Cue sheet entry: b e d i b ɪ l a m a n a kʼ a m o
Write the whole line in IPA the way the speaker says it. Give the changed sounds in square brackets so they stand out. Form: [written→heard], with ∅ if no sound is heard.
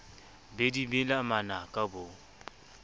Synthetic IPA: b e d i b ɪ l a m a n a kʼ a [m→b] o